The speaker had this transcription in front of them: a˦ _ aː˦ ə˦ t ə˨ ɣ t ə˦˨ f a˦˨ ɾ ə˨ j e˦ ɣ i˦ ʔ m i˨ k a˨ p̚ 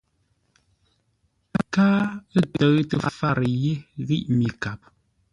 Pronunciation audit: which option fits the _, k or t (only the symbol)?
k